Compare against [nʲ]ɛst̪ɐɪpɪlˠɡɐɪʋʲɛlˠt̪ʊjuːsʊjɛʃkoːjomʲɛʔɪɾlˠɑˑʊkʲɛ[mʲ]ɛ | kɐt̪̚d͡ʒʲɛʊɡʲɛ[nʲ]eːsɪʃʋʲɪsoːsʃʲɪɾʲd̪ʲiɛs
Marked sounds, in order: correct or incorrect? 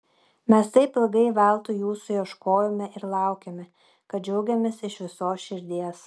incorrect: mʲ, correct, incorrect: mʲ

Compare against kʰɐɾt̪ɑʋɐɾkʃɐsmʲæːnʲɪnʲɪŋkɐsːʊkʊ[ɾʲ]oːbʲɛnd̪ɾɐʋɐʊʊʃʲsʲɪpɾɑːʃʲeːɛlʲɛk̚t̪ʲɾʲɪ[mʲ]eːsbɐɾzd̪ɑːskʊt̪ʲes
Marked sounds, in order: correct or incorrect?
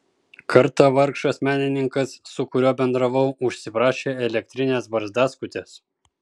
correct, incorrect: nʲ

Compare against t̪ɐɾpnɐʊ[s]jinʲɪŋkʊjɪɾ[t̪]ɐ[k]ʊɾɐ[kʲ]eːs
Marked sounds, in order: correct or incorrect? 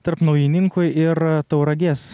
incorrect: none, correct, incorrect: none, incorrect: ɡʲ

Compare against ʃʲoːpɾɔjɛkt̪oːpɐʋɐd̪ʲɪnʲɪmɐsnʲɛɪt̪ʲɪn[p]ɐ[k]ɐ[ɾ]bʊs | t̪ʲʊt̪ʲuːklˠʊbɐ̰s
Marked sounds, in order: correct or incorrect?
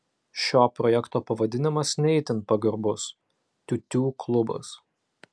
correct, incorrect: ɡ, correct

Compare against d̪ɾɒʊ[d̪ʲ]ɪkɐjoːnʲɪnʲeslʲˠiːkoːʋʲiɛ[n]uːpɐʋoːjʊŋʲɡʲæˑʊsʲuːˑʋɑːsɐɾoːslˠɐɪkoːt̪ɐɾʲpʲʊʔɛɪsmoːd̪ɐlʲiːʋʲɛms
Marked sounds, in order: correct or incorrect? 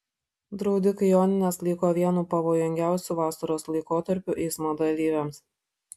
correct, correct

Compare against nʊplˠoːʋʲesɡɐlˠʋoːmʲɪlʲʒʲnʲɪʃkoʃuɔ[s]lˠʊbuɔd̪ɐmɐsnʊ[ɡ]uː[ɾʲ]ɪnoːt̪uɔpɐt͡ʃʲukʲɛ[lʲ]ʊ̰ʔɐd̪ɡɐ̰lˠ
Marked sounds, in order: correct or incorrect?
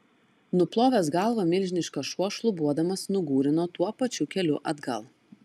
incorrect: ʃ, correct, correct, correct

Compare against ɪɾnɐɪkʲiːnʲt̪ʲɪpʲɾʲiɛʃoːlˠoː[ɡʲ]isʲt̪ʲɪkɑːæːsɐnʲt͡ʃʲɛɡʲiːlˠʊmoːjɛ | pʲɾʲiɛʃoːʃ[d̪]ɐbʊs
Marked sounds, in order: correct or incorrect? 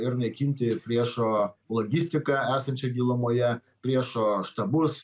correct, incorrect: t̪

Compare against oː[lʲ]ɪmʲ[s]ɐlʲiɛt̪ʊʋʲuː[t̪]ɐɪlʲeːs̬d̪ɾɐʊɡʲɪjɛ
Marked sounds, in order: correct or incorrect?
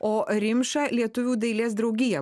incorrect: ɾʲ, incorrect: ʃ, incorrect: d̪

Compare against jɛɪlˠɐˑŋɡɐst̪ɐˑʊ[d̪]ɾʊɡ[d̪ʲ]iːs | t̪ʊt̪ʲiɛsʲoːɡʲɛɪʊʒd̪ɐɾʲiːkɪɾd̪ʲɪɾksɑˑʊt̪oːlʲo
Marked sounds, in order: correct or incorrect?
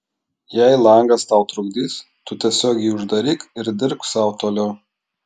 incorrect: t̪, correct

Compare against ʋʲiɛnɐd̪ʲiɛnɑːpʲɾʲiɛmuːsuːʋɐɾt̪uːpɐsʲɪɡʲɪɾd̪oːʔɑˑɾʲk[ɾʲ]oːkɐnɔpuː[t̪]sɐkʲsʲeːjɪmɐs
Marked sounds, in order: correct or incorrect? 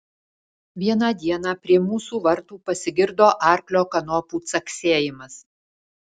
incorrect: lʲ, correct

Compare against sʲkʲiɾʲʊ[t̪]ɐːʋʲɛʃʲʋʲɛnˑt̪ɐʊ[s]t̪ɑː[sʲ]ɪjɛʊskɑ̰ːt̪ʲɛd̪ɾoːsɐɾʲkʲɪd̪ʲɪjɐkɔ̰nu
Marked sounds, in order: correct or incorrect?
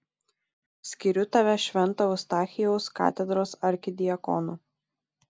correct, correct, incorrect: xʲ

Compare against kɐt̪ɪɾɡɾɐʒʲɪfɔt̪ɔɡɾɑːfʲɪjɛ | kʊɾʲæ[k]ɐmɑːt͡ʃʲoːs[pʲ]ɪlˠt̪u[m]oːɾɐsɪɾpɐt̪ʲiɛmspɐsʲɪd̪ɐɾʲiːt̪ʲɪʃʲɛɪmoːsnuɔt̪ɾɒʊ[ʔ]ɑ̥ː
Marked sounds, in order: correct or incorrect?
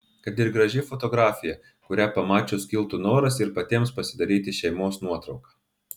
incorrect: p, incorrect: kʲ, incorrect: n, incorrect: k

